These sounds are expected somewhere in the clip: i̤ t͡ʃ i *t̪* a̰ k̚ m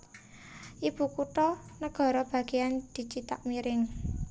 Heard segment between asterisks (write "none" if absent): t̪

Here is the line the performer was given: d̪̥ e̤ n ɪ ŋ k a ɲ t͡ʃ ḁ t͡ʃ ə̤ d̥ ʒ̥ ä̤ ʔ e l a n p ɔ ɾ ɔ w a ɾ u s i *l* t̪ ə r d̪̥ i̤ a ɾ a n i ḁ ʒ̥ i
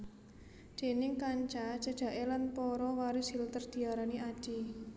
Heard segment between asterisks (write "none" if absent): l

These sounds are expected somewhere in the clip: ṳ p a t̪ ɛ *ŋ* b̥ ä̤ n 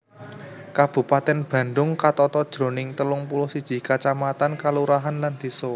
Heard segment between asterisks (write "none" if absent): n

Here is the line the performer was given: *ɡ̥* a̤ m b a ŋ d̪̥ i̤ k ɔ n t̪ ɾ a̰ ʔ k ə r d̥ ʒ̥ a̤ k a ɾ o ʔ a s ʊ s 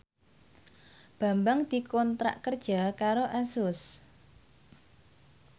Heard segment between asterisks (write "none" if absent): b̥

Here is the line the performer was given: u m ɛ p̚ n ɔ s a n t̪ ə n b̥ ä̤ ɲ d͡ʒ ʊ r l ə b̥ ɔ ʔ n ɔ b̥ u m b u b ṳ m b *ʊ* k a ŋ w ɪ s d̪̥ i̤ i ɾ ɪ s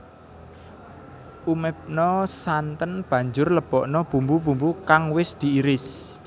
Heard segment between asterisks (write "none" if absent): u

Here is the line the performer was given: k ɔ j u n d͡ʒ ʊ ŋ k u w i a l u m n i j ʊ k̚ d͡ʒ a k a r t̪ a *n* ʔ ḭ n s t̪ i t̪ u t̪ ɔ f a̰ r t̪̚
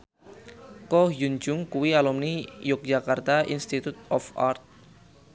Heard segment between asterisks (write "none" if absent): none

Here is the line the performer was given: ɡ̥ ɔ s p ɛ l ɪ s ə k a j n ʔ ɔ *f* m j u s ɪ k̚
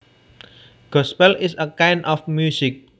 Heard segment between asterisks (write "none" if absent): f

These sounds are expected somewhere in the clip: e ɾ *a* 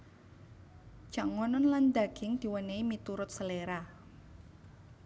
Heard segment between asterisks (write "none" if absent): a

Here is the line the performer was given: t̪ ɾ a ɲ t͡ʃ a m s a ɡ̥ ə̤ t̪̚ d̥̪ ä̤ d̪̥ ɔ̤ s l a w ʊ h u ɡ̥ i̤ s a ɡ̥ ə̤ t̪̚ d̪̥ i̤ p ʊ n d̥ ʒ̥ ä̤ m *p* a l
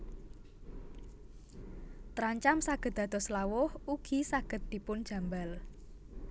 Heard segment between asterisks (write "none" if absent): b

